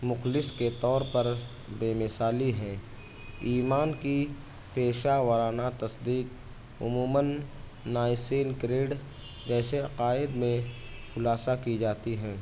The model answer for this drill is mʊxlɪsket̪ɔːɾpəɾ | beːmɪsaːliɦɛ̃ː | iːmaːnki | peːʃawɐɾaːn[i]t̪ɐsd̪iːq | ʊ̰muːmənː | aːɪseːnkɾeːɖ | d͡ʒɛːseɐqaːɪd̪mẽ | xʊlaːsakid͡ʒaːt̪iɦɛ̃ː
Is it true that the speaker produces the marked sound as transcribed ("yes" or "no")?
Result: no